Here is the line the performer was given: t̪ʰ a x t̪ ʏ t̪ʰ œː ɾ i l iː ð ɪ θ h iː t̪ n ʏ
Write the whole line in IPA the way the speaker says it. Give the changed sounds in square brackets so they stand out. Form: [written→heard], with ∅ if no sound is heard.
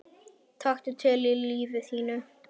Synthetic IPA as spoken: t̪ʰ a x t̪ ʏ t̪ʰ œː [ɾ→l] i l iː [ð→v] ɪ θ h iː [t̪→∅] n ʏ